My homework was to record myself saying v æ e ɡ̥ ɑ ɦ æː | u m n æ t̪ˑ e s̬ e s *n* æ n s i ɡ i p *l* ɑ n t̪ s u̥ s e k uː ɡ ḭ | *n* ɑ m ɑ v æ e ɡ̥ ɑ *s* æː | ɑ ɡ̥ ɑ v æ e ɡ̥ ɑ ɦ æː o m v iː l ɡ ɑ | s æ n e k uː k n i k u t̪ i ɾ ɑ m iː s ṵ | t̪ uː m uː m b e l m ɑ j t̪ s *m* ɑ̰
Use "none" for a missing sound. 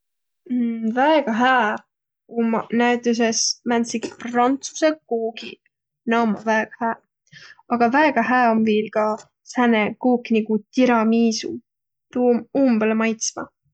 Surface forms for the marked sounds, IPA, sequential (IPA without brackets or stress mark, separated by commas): m, r, n, h, m